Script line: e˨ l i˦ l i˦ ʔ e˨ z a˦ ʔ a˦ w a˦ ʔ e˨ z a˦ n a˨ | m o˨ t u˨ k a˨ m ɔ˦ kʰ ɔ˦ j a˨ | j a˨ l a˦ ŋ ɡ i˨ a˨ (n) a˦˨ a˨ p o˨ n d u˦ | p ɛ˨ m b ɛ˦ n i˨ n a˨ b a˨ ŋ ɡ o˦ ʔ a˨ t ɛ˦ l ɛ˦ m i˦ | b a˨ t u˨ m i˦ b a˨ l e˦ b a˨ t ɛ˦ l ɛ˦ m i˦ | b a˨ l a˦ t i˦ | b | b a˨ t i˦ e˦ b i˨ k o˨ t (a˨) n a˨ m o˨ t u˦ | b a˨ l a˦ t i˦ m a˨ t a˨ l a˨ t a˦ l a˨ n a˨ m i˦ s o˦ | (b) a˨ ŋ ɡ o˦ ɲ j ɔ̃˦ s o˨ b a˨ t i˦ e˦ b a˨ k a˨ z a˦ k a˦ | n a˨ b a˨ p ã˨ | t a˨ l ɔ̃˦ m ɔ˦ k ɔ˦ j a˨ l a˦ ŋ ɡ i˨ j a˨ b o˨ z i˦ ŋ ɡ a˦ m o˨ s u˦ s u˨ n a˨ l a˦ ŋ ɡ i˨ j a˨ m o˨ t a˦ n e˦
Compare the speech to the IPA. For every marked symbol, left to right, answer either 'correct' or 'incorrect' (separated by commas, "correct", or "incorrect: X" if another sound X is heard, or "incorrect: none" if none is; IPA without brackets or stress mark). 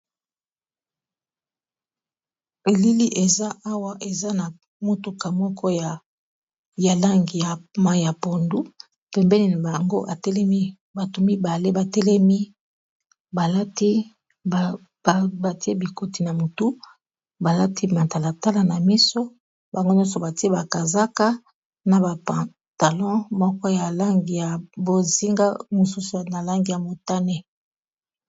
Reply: incorrect: m, incorrect: i˨, correct